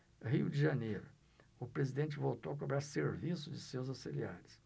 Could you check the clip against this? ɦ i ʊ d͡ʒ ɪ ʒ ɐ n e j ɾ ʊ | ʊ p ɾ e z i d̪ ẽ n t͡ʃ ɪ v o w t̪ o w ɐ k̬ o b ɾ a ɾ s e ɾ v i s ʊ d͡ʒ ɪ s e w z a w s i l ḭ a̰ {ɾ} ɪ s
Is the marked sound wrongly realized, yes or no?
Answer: no